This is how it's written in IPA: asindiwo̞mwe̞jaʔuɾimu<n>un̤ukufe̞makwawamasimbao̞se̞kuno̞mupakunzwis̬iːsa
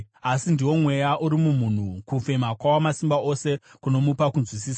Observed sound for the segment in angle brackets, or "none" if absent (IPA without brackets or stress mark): m